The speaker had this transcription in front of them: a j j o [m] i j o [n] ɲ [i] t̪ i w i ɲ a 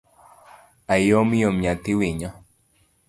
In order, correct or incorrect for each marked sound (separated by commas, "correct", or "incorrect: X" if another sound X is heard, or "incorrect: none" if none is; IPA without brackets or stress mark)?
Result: correct, incorrect: m, incorrect: a